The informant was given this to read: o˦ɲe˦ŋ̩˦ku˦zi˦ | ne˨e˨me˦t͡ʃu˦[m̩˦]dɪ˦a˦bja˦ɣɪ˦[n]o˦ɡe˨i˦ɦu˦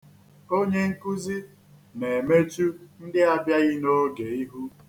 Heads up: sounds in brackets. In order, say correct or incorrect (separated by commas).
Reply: incorrect, correct